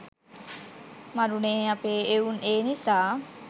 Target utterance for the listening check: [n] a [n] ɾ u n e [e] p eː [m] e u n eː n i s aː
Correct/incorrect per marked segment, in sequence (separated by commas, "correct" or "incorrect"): incorrect, incorrect, incorrect, incorrect